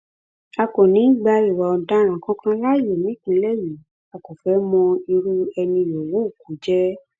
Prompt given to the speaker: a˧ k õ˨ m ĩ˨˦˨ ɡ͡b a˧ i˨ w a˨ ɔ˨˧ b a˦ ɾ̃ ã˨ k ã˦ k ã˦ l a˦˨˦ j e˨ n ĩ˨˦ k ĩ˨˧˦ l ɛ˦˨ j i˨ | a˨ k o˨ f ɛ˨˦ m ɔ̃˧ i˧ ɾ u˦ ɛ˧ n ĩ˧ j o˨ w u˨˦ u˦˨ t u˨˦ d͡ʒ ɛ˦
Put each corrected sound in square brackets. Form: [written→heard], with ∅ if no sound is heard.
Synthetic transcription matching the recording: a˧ k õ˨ [m→n] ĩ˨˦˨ ɡ͡b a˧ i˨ w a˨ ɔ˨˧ [b→d] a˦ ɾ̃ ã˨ k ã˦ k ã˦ l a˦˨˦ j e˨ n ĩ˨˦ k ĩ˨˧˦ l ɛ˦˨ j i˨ | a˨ k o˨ f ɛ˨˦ m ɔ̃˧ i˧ ɾ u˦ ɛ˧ n ĩ˧ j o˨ w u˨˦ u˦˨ [t→k] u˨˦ d͡ʒ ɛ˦

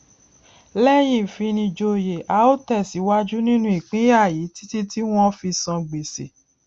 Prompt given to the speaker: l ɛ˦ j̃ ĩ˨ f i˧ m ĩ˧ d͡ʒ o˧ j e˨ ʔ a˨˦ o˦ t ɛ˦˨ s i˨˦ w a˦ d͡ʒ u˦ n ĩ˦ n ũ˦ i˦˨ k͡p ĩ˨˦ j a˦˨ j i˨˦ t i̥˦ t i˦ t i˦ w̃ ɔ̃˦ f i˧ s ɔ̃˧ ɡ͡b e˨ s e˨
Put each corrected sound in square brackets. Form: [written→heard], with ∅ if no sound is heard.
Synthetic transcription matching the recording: l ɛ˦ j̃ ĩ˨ f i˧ [m→n] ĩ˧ d͡ʒ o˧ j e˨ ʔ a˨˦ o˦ t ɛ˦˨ s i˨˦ w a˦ d͡ʒ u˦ n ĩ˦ n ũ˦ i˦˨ k͡p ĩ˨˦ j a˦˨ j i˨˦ t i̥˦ t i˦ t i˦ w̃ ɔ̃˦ f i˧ s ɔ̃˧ ɡ͡b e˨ s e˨

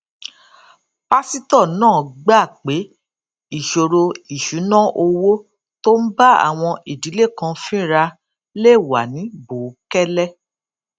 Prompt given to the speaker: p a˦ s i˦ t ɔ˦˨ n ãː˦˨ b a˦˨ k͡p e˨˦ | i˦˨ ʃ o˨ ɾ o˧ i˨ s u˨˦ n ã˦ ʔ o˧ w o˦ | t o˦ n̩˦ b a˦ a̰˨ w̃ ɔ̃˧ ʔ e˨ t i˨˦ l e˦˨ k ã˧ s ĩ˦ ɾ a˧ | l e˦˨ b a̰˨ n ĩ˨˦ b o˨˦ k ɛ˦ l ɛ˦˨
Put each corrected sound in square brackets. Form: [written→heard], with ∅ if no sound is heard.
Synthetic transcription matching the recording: p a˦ s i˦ t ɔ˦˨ n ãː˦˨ [b→ɡ͡b] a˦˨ k͡p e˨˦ | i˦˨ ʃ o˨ ɾ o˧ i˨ [s→ʃ] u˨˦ n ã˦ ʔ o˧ w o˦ | t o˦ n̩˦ b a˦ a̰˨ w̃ ɔ̃˧ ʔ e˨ [t→d] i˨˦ l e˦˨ k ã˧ [s→f] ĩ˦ ɾ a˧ | l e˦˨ [b→w] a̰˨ n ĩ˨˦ b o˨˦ k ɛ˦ l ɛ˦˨

